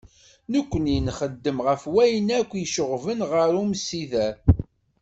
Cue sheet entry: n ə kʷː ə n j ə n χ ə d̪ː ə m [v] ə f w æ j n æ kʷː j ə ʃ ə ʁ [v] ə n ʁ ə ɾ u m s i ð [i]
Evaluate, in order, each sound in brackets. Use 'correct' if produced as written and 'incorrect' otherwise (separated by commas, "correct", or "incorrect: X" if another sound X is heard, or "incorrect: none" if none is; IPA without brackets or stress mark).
incorrect: ʁ, correct, incorrect: æ